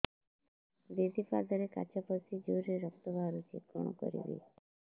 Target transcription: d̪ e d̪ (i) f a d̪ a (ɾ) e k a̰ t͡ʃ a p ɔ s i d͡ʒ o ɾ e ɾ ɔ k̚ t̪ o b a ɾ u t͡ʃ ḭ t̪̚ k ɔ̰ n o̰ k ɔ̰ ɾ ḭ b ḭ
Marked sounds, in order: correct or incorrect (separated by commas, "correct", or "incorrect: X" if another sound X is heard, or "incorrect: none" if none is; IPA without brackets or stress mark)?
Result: correct, correct